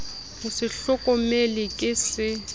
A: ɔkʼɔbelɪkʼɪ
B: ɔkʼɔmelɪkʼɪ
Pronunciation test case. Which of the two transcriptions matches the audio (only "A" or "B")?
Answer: B